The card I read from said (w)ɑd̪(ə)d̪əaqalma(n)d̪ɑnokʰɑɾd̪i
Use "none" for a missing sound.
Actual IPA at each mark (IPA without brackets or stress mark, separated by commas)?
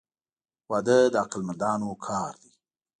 w, ə, n